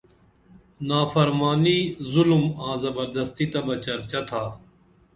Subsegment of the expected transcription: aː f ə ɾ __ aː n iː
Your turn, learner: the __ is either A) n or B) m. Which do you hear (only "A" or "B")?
B